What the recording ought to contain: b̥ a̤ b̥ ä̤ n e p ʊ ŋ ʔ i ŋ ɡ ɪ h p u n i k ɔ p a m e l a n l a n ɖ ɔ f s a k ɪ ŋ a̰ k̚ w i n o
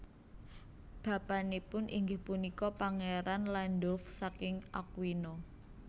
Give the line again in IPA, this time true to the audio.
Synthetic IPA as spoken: b̥ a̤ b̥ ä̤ n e p ʊ n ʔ i ŋ ɡ ɪ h p u n i k ɔ p a ŋ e ɾ a n l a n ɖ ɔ f s a k ɪ ŋ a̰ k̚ w i n o